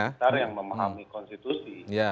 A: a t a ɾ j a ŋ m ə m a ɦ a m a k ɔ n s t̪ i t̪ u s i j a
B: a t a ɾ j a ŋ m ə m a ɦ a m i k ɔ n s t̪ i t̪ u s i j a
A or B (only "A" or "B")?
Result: B